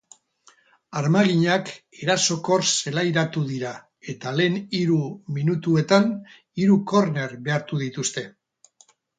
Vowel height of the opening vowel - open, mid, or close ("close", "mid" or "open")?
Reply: open